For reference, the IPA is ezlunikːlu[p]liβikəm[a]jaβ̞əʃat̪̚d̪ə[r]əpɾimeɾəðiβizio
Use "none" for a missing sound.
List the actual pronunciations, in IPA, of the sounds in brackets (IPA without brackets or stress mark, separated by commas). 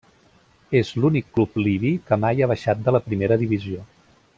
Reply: p, a, l